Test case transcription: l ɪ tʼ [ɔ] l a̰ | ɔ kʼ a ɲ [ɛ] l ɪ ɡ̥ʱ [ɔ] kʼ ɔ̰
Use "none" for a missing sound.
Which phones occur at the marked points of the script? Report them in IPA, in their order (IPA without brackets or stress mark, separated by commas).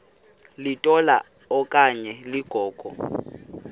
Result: ɔ, ɛ, ɔː